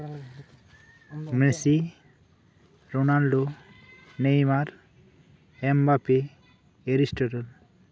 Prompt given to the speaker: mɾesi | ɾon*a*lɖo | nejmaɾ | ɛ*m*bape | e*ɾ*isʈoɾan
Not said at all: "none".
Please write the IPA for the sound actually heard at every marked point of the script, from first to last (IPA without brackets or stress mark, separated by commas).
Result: a, m, ɾ